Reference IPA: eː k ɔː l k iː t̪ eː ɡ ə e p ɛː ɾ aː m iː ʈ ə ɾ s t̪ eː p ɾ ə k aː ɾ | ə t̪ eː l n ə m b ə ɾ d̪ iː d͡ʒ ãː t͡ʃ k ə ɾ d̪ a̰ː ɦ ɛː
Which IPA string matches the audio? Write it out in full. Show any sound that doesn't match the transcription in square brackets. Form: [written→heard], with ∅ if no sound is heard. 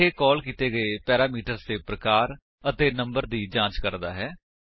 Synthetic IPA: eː k ɔː l k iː t̪ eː ɡ ə e p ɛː ɾ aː m iː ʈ ə ɾ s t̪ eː p ɾ ə k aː ɾ | ə t̪ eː [l→∅] n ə m b ə ɾ d̪ iː d͡ʒ ãː t͡ʃ k ə ɾ d̪ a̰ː ɦ ɛː